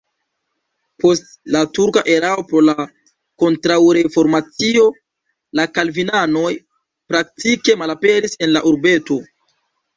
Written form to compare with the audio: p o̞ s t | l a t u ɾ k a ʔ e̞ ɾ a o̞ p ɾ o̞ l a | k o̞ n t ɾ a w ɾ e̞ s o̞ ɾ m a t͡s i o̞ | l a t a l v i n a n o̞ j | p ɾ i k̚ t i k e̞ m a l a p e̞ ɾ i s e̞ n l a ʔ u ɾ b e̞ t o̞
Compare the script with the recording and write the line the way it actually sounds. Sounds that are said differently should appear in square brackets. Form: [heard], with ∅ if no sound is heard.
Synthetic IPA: p o̞ s t | l a t u ɾ k a ʔ e̞ ɾ a o̞ p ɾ o̞ l a | k o̞ n t ɾ a w ɾ e̞ [f] o̞ ɾ m a t͡s i o̞ | l a [k] a l v i n a n o̞ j | p ɾ [a] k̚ t i k e̞ m a l a p e̞ ɾ i s e̞ n l a ʔ u ɾ b e̞ t o̞